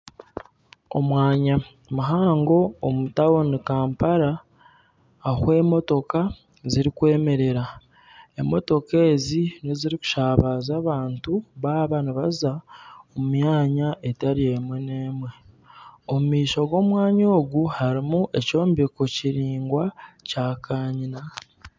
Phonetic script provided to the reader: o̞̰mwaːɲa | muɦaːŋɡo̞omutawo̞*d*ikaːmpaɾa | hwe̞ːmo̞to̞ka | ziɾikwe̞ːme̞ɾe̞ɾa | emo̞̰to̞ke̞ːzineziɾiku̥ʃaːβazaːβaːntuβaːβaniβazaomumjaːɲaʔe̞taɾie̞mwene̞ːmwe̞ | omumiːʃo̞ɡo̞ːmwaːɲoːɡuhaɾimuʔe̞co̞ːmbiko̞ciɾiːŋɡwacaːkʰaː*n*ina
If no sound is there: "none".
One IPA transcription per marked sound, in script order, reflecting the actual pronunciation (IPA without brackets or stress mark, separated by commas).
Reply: n, ɲ